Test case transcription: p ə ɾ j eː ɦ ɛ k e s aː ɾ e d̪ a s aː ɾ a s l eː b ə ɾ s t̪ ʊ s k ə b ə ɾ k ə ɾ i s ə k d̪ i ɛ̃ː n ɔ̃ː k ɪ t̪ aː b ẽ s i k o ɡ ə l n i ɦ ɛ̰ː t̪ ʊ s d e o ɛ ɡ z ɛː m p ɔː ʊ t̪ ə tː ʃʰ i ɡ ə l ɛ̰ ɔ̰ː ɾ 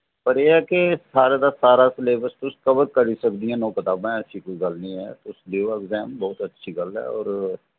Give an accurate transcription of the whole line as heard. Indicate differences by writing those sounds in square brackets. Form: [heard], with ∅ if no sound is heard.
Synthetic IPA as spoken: p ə ɾ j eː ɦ ɛ k e s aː ɾ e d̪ a s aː ɾ a s l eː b ə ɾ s t̪ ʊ s k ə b ə ɾ k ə ɾ i s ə k d̪ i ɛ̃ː n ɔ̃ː k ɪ t̪ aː b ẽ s i k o ɡ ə l n i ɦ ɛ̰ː t̪ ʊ s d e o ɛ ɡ z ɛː m [b] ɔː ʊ t̪ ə tː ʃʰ i ɡ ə l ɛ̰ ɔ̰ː ɾ